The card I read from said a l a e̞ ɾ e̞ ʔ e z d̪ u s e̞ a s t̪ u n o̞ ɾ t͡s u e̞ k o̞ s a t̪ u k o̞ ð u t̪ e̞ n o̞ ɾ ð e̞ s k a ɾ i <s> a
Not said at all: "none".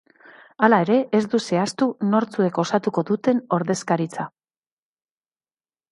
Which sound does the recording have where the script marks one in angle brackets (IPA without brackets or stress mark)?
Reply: t͡s